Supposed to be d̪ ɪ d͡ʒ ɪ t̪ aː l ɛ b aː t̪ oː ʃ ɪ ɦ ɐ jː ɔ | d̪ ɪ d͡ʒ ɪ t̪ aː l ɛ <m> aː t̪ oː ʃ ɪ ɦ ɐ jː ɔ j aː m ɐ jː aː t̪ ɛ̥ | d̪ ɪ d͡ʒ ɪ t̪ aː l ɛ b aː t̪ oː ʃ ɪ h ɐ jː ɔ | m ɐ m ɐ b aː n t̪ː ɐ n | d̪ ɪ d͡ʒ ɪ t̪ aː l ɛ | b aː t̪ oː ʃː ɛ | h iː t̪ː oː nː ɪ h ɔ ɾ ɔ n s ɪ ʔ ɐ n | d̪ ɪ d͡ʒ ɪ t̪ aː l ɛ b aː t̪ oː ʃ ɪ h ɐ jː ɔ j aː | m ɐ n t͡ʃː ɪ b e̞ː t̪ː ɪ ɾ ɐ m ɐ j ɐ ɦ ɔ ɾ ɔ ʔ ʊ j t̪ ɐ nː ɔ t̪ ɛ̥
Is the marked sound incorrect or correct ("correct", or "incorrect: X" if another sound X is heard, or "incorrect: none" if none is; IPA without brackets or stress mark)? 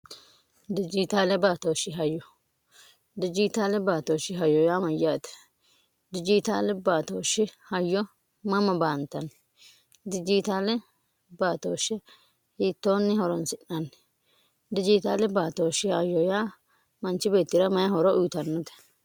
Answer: incorrect: b